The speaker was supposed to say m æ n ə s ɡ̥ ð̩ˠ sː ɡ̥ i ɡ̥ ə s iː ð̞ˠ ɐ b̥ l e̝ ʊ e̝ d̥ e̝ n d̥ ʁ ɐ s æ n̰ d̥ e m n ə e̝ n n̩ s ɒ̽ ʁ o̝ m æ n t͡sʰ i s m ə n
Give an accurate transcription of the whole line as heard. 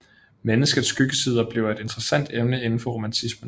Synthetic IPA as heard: m e n ə s ɡ̥ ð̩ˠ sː ɡ̥ y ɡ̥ ə s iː ð̞ˠ ɐ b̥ l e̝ ʊ e̝ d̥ e̝ n d̥ ʁ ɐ s æ n̰ d̥ e m n ə e̝ n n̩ f ɒ̽ ʁ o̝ m æ n t͡sʰ i s m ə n